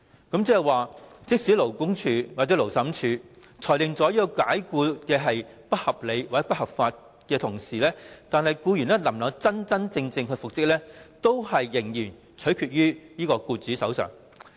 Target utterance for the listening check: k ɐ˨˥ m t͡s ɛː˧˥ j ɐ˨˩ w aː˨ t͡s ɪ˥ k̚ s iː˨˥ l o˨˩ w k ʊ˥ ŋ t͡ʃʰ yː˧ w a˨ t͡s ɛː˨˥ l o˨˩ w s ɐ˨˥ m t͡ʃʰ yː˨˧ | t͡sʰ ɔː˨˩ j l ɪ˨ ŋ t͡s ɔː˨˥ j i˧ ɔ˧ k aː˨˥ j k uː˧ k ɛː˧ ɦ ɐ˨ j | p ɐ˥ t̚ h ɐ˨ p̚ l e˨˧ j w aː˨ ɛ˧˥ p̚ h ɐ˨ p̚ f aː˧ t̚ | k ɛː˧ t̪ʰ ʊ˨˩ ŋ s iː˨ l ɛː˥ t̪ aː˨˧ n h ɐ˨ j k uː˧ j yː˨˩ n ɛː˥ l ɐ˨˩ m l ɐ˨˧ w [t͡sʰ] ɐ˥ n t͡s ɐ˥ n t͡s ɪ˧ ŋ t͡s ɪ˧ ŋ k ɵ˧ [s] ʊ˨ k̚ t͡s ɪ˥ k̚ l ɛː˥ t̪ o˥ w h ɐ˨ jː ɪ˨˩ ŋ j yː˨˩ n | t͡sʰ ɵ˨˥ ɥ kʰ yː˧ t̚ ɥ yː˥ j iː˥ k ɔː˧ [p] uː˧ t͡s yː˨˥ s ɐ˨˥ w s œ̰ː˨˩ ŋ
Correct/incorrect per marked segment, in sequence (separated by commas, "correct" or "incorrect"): incorrect, incorrect, incorrect